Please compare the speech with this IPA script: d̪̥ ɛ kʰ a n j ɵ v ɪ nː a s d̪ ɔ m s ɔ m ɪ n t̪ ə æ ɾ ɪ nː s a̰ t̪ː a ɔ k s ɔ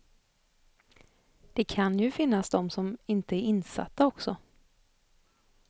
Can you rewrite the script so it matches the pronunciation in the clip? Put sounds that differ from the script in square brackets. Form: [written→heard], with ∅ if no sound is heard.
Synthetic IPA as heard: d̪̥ ɛ kʰ a n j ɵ [v→f] ɪ nː a s d̪ ɔ m s ɔ m ɪ n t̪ ə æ ɾ ɪ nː s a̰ t̪ː a ɔ k s ɔ